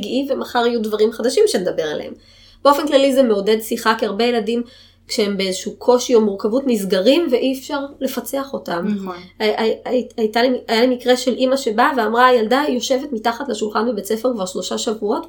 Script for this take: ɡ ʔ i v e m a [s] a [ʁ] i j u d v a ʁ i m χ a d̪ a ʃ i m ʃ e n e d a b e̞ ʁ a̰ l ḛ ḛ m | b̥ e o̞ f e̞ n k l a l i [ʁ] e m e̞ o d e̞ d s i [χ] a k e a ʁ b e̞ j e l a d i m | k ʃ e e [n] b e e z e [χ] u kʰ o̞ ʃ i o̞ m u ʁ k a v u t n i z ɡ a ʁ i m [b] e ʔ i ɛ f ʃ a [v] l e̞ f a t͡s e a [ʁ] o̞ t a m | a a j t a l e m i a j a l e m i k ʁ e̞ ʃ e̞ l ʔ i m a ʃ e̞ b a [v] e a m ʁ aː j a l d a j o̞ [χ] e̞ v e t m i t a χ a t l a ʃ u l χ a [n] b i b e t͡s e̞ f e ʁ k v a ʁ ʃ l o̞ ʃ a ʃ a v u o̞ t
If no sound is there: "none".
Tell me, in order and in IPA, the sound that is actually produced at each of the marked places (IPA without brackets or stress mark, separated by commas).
χ, ʁ, z, χ, m, ʃ, v, ʁ, χ, v, ʃ, n